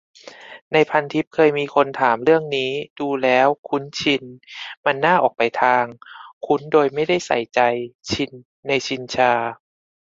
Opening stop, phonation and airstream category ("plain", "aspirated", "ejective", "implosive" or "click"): aspirated